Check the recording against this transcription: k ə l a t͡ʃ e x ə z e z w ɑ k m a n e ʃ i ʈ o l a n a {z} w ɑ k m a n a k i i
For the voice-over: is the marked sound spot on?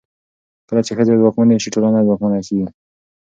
yes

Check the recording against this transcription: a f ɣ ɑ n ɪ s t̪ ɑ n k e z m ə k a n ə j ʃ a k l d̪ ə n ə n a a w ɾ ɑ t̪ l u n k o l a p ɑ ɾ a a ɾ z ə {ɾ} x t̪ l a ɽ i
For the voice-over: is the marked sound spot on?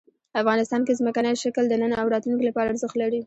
no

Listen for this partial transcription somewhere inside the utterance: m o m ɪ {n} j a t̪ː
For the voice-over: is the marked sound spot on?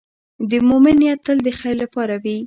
yes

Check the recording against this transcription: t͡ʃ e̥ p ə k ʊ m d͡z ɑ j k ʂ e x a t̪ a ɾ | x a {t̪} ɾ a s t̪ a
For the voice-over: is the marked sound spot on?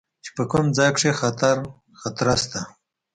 yes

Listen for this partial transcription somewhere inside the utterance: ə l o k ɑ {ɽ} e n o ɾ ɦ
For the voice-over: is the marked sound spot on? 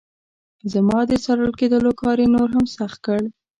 no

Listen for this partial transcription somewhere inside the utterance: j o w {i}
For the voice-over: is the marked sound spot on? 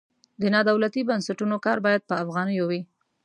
yes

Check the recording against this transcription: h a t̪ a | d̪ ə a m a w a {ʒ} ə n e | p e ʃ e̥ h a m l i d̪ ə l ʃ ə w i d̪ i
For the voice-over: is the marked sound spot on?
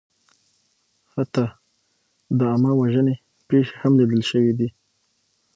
yes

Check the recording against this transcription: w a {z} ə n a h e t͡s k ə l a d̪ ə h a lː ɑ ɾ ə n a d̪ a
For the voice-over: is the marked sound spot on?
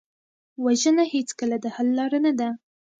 no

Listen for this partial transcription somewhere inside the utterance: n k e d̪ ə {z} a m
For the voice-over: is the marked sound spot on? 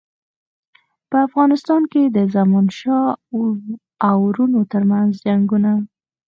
yes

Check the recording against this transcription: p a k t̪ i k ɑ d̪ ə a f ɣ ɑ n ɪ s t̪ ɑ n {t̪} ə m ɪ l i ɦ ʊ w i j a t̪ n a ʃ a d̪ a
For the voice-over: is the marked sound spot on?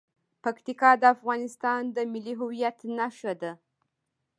no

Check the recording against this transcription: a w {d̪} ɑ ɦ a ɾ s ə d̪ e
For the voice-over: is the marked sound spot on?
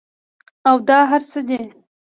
yes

